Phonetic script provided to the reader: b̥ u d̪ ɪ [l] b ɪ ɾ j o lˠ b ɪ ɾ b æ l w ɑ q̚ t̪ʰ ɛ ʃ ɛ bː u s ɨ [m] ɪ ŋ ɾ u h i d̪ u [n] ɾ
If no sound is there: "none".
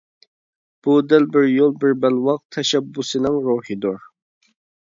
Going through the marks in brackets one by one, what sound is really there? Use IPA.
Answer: l, n, none

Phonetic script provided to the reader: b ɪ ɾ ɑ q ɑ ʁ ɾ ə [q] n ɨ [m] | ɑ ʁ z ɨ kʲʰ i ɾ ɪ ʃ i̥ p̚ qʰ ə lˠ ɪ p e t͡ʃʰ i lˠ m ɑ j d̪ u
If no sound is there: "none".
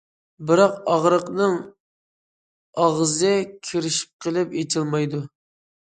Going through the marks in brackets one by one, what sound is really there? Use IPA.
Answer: q, ŋ

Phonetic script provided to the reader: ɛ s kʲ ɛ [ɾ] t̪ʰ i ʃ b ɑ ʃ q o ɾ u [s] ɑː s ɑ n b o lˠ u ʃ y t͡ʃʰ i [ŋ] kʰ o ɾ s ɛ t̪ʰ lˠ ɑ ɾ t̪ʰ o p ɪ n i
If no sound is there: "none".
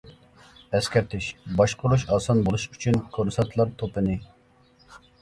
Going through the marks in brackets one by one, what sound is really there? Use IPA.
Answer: ɾ, ʃ, n

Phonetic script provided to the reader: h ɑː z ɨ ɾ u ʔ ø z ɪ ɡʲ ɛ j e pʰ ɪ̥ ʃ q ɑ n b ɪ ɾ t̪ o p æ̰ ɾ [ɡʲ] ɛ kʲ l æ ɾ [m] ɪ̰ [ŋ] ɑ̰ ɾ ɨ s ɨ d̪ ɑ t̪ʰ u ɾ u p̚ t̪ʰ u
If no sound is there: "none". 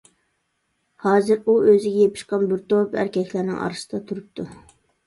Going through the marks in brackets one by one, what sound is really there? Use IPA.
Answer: kʲ, n, ŋ

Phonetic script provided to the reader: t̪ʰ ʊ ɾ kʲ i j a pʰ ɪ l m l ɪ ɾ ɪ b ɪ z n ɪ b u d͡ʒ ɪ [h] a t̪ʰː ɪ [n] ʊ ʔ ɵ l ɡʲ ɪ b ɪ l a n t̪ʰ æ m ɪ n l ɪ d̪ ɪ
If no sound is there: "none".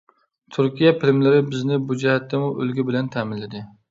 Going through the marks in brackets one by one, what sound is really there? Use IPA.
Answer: h, m

